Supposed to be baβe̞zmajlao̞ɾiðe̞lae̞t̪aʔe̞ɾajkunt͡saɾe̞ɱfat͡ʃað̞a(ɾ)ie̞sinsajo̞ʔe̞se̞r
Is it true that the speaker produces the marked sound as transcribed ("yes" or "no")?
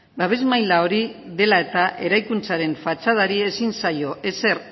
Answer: yes